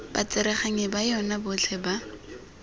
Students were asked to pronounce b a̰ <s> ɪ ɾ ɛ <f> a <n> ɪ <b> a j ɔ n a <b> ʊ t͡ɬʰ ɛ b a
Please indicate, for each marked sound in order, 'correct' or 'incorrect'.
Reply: incorrect, incorrect, incorrect, correct, correct

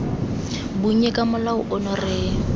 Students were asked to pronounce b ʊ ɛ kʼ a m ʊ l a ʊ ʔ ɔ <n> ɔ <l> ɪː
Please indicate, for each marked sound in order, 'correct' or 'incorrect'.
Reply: correct, incorrect

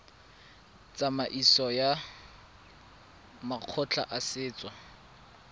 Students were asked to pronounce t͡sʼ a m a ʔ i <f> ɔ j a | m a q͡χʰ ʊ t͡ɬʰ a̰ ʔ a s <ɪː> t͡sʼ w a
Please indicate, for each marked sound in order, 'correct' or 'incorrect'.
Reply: incorrect, correct

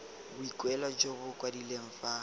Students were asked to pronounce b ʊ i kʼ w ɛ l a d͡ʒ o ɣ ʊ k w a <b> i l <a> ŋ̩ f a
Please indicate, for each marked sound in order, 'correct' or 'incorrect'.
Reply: incorrect, incorrect

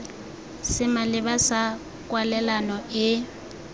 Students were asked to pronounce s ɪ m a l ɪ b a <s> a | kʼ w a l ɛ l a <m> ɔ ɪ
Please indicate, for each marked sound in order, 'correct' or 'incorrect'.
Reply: correct, incorrect

